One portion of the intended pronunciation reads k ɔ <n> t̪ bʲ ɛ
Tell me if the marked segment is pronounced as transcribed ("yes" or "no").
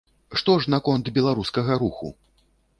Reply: yes